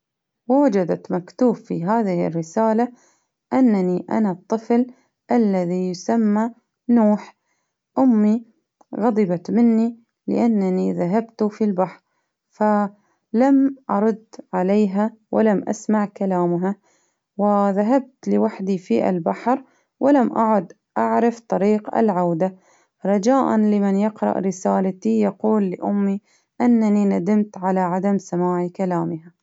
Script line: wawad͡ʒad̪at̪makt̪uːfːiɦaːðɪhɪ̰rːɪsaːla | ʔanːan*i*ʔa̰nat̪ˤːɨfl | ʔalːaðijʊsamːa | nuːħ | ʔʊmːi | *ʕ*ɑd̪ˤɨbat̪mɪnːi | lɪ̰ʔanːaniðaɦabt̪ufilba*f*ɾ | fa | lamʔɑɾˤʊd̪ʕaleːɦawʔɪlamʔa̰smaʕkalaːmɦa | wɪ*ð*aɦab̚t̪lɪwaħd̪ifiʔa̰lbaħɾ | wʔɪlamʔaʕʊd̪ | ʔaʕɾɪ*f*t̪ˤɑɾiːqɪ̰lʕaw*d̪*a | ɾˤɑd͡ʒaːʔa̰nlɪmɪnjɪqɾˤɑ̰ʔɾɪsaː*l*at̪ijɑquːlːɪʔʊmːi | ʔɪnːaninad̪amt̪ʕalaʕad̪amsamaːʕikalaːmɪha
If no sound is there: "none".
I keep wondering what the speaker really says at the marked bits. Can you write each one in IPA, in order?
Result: i, ɣ, ħ, ð, f, d̪, l

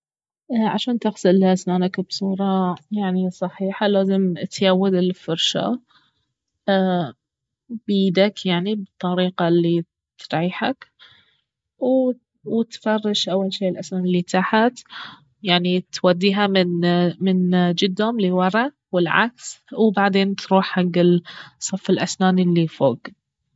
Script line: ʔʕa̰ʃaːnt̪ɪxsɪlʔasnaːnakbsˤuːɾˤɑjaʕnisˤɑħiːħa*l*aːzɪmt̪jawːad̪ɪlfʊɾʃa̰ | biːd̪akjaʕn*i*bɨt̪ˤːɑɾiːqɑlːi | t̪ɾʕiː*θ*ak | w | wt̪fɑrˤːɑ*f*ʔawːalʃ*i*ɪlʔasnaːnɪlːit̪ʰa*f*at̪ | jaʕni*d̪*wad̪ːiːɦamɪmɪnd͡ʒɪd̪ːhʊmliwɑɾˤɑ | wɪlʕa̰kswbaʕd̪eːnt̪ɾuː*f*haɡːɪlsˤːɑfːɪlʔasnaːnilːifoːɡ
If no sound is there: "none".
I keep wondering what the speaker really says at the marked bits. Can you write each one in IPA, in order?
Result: l, i, ħ, ʃ, iː, ħ, t̪, ħ

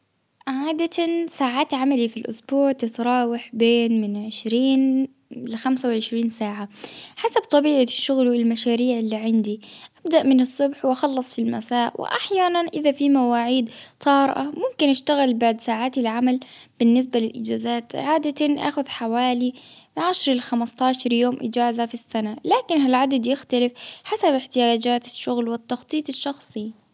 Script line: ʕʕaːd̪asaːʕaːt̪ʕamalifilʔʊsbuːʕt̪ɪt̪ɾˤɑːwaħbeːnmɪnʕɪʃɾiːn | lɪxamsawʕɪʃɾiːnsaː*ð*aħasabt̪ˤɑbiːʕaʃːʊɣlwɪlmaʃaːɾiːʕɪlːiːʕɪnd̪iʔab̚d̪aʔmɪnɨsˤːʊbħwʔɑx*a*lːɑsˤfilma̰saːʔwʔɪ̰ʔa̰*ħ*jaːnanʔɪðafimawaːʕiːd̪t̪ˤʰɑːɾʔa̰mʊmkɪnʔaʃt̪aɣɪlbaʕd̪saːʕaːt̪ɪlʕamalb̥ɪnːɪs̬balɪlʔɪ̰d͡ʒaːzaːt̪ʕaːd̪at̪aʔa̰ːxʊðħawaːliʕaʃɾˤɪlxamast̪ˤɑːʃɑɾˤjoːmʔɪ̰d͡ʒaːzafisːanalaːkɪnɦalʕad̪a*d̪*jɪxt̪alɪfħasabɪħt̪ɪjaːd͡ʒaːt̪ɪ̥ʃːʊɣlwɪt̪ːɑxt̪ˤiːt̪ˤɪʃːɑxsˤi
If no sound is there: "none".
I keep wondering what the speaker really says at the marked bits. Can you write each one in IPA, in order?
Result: ʕ, ɑ, ħ, d̪

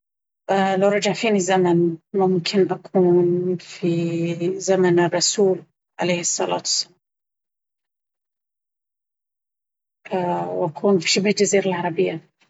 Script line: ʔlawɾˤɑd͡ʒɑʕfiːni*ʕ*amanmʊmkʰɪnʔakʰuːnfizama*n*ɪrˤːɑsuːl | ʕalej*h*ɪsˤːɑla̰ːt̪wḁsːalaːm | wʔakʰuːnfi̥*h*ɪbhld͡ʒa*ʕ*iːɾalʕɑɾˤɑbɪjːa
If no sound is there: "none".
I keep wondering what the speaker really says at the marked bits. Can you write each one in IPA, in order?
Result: z, n, h, ʃ, z

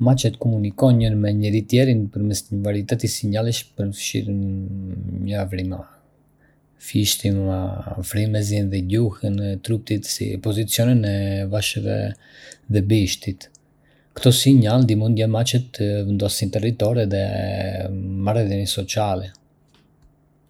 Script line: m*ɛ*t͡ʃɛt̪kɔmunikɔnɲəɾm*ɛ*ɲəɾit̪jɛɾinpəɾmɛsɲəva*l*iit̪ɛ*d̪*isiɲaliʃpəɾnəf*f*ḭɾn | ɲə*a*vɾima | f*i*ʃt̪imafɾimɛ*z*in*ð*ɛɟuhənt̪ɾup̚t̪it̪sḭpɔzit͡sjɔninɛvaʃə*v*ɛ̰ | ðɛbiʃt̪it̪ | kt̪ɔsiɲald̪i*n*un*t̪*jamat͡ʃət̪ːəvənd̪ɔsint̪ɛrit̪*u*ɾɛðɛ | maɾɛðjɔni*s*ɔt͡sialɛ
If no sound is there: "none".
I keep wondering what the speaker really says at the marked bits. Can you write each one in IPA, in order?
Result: a, ɛ, ɾ, t̪, ʃ, a, i, z, ð, v, m, d̪, ɔ, s

